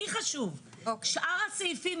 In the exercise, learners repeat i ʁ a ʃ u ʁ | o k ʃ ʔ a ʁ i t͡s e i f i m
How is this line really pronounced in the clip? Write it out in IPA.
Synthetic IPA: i χ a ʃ u v | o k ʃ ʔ a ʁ a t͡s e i f i m